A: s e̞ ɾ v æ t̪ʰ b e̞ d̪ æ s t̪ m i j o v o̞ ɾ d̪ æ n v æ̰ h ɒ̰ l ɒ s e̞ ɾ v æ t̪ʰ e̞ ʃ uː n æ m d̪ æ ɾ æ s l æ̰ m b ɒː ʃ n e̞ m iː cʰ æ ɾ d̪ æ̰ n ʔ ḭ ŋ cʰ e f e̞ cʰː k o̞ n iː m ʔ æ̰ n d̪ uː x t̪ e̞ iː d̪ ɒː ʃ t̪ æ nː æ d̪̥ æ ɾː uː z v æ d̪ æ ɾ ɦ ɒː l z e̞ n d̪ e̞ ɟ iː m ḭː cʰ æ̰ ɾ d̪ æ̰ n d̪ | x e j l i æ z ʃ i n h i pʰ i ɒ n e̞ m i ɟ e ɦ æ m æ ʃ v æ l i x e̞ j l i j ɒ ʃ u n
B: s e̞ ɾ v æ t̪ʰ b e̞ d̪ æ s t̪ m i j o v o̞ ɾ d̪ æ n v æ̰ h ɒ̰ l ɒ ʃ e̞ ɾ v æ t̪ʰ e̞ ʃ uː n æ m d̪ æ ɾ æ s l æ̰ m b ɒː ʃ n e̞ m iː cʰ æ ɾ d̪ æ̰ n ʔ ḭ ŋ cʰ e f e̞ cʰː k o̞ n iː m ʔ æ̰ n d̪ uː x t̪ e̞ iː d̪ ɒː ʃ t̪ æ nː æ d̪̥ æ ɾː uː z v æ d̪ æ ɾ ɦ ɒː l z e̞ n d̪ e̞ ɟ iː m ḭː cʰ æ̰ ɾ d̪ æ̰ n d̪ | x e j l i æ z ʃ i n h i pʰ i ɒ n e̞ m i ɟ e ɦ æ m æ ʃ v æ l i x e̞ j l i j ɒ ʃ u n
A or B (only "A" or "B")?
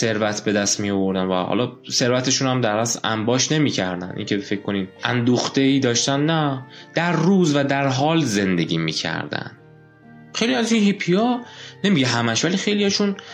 A